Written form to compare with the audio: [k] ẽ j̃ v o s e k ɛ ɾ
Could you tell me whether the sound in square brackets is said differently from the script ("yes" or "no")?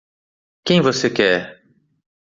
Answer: no